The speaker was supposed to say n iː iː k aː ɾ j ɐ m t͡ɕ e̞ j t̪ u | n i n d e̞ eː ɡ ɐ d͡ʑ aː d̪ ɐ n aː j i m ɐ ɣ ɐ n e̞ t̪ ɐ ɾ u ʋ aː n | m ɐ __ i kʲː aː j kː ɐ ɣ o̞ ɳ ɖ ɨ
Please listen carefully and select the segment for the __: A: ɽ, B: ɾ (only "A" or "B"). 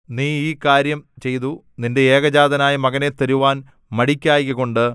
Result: A